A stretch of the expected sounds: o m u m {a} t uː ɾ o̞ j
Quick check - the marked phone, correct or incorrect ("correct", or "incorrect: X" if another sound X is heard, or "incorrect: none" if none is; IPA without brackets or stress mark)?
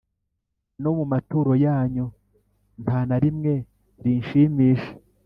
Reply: correct